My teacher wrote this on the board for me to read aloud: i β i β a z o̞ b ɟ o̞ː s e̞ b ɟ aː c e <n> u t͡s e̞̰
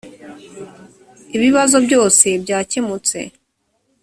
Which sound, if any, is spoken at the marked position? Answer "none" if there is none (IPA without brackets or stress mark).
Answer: m